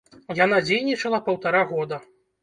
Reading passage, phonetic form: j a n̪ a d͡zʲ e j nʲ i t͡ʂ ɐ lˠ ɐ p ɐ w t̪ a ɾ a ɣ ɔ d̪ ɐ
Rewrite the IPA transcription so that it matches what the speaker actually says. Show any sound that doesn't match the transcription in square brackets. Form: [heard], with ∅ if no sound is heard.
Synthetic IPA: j a n̪ a d͡zʲ e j nʲ i t͡ʂ ɐ lˠ ɐ p ɐ w t̪ a ɾ a ɣ ɔ d̪ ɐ